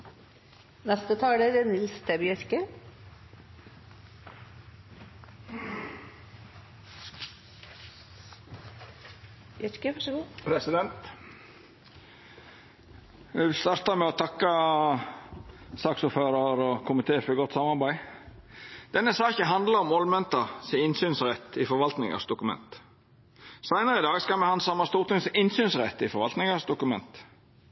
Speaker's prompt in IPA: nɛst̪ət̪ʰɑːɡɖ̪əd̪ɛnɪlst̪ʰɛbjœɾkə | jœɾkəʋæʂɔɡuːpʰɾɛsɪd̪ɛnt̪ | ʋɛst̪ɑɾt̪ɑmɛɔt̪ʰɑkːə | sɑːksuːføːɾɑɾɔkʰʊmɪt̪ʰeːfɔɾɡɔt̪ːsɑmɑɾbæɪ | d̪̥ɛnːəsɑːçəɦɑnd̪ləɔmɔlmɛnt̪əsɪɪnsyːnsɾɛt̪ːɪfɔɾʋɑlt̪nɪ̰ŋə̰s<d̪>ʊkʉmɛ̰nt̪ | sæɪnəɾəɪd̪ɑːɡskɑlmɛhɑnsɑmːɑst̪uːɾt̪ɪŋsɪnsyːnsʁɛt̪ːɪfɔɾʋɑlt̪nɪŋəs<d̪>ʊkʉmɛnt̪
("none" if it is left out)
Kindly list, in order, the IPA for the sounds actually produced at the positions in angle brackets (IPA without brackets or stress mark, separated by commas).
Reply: d̪, d̪